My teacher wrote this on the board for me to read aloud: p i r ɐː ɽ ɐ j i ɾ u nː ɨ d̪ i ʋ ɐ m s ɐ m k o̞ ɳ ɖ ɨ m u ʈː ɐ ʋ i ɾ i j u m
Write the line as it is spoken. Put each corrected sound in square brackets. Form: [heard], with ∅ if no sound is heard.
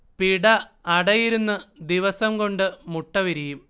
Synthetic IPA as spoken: p i [ɽ] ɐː ɽ ɐ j i ɾ u nː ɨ d̪ i ʋ ɐ [∅] s ɐ m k o̞ ɳ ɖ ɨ m u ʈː ɐ ʋ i ɾ i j u m